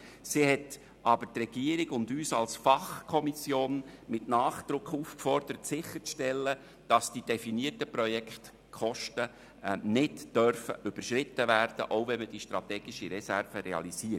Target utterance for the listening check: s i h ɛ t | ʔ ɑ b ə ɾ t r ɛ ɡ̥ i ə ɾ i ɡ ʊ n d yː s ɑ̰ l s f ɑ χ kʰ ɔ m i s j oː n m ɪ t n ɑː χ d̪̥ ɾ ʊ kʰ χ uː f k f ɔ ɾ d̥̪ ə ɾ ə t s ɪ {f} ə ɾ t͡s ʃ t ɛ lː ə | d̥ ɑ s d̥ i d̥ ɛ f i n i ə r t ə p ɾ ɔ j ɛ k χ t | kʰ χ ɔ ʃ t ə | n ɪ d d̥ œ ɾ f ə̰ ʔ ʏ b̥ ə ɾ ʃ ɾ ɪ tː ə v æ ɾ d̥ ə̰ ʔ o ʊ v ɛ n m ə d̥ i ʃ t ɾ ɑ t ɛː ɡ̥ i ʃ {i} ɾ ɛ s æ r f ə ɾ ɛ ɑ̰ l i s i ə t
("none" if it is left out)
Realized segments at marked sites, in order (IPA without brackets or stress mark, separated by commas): χ, i